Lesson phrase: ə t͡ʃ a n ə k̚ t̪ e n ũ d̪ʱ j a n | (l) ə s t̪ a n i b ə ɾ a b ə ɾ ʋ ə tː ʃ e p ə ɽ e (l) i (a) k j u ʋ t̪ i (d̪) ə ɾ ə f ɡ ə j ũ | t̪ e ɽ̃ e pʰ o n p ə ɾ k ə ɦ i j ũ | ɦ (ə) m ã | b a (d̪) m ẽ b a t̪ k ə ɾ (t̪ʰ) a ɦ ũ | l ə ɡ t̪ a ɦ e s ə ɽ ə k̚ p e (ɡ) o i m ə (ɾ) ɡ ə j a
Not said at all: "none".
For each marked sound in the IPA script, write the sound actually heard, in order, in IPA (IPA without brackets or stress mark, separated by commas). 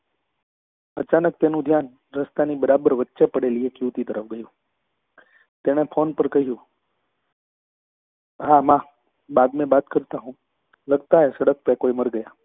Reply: ɾ, l, e, t̪, a, d̪, t̪, k, ɾ